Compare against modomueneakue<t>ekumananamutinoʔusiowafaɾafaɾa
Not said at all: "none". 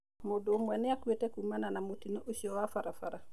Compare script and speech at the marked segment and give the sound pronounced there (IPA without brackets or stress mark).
t